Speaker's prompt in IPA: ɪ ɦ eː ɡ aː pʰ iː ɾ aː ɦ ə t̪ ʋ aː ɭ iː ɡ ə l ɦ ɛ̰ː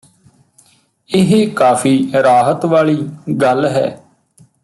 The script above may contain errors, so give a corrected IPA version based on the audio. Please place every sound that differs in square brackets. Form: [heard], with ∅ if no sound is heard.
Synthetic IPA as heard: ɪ ɦ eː [k] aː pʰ iː ɾ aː ɦ ə t̪ ʋ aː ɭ iː ɡ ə l ɦ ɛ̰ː